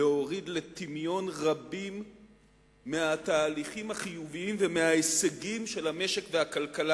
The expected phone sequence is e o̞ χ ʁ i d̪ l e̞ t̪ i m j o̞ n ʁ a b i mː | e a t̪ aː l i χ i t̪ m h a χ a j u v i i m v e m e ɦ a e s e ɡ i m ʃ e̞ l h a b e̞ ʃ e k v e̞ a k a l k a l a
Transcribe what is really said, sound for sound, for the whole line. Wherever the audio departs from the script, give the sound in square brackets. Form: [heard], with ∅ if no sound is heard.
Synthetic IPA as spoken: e o̞ [∅] ʁ i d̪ l e̞ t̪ i m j o̞ n ʁ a b i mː | e a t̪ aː l i χ i [∅] m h a χ [i] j u v i i m v e m e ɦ a e s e ɡ i m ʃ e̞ l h a [m] e̞ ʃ e k v e̞ a k a l k a l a